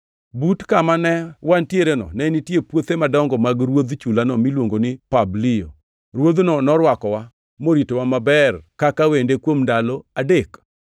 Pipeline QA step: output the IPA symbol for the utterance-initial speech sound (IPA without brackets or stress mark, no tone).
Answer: b